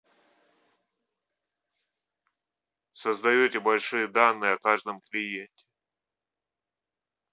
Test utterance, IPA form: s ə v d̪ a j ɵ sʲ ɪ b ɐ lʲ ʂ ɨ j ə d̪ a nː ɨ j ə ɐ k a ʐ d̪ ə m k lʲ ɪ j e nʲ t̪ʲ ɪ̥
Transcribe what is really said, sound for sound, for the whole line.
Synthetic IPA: s ə z d̪ ɐ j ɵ tʲ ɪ b ɐ lʲ ʂ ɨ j ə d̪ a nː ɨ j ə ɐ k a ʐ d̪ ə m k lʲ ɪ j e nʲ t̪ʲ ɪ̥